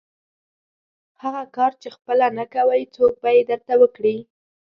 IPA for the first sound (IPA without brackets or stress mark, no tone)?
h